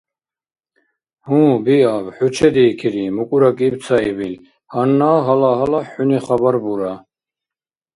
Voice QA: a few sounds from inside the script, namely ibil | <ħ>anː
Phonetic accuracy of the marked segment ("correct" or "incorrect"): incorrect